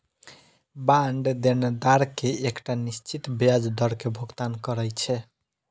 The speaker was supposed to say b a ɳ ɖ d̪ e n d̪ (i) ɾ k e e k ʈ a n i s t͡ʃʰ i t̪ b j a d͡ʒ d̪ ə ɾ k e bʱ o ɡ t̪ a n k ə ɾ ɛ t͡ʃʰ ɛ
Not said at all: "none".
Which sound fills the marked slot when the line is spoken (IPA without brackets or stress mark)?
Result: a